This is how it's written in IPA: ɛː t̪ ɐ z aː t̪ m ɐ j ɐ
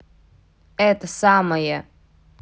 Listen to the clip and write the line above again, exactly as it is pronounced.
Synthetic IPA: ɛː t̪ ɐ s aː m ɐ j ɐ